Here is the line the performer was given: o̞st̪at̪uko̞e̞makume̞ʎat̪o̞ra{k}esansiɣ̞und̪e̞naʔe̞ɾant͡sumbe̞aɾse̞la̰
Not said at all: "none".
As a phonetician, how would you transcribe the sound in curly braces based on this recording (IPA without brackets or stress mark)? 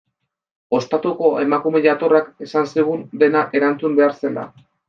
k